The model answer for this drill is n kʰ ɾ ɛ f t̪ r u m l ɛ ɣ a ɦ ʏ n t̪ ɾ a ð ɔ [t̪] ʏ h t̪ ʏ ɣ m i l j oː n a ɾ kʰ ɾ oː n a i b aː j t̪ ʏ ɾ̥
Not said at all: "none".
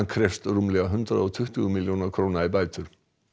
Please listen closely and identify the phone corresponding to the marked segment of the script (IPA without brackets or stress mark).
t̪ʰ